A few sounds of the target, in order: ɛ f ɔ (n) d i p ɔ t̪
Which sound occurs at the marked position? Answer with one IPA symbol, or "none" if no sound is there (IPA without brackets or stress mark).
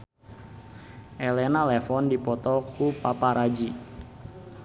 n